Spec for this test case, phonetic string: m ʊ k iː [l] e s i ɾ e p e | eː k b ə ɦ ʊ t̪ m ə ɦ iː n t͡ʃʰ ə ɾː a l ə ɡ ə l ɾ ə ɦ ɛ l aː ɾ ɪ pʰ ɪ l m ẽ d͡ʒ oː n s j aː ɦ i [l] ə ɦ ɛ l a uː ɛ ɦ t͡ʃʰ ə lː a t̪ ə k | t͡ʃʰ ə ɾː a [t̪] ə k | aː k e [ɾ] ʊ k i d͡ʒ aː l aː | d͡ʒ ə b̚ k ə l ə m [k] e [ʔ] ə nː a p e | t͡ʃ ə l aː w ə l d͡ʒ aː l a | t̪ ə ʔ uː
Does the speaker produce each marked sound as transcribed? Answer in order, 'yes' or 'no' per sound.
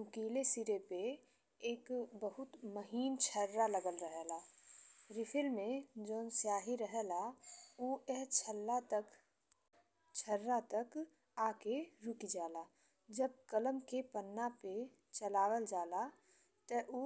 yes, no, yes, yes, yes, no

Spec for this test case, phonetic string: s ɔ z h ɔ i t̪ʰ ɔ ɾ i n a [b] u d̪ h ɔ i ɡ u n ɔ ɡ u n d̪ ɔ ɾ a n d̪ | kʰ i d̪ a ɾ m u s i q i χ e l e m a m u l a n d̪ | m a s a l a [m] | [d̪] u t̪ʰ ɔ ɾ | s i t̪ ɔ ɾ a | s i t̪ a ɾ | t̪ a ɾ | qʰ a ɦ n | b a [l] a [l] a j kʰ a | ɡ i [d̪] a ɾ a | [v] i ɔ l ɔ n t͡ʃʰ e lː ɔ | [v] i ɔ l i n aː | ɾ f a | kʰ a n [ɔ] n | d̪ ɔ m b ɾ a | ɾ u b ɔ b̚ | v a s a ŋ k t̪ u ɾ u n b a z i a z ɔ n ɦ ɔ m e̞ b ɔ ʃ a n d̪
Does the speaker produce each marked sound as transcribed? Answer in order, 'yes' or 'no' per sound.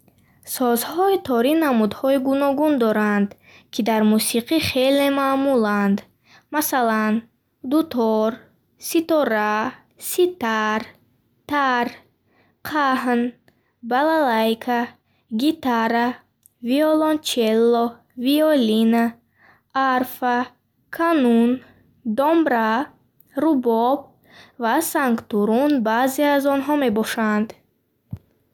no, no, yes, yes, yes, no, yes, yes, no

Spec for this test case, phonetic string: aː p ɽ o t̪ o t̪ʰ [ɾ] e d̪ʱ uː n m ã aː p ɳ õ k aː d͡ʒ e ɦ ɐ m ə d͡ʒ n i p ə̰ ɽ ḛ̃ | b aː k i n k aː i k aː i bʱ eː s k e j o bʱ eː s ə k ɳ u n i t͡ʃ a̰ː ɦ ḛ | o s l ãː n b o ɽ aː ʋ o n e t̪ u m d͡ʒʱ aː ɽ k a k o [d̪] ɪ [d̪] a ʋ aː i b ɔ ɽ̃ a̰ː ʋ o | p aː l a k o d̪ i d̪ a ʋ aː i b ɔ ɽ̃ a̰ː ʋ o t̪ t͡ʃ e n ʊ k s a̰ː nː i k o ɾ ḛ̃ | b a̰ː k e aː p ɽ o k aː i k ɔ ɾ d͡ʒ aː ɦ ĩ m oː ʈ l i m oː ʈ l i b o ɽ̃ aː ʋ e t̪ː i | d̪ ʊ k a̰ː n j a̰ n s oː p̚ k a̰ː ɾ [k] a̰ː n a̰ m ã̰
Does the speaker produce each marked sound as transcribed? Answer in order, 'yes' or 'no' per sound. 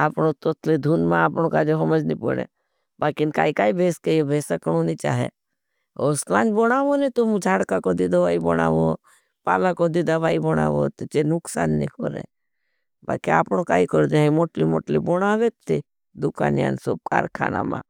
no, yes, yes, no

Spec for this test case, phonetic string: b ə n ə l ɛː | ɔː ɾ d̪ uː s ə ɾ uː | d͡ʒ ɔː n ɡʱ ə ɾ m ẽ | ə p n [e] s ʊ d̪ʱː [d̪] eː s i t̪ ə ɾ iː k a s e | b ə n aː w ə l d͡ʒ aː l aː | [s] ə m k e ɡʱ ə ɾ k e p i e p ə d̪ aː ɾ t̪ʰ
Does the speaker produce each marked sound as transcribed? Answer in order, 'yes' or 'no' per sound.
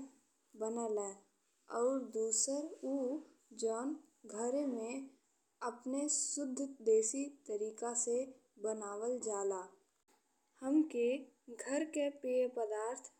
yes, yes, no

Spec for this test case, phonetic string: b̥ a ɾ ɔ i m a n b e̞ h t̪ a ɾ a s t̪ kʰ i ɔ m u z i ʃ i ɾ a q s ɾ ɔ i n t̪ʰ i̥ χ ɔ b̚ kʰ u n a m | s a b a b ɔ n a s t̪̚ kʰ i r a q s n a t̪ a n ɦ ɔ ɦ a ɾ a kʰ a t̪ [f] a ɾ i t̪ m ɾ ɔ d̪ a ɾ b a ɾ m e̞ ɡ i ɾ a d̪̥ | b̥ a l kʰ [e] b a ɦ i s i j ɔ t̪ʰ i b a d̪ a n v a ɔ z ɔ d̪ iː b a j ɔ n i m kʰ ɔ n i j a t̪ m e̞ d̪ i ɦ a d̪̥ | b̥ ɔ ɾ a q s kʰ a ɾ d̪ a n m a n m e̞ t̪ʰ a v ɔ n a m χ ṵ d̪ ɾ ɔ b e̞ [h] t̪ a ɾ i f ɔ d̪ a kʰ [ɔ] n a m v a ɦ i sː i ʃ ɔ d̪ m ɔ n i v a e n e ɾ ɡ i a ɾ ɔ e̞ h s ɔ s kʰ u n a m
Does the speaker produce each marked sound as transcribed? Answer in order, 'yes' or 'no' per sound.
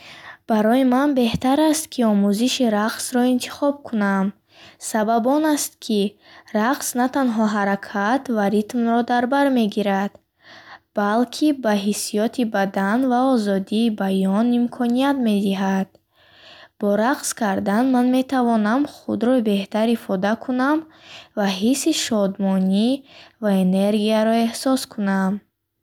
no, no, yes, no

